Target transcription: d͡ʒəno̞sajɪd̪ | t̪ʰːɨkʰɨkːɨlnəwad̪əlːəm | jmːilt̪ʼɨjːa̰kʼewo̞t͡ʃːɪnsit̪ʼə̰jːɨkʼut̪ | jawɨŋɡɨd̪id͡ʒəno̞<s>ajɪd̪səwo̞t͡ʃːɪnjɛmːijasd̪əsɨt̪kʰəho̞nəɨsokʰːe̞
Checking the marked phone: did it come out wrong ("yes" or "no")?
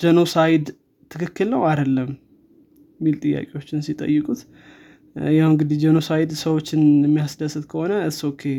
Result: no